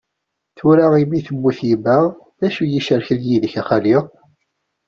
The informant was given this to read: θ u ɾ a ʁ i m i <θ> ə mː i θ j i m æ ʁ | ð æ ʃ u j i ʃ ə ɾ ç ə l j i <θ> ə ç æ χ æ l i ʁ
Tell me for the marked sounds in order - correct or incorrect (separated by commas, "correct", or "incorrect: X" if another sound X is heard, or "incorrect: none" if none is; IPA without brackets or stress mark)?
correct, incorrect: ð